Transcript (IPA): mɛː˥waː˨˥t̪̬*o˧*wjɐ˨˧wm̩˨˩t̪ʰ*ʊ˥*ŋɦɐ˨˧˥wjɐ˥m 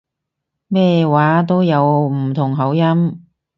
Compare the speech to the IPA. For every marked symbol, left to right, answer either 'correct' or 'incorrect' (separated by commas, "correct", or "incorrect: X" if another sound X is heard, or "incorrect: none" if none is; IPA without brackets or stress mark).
incorrect: o˥, incorrect: ʊ˨˩